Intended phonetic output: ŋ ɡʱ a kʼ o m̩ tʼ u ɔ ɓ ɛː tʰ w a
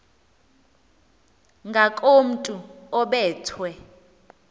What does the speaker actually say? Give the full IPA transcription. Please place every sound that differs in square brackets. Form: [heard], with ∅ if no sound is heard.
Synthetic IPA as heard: ŋ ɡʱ a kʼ o m̩ tʼ u ɔ ɓ ɛː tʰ w [ɛ]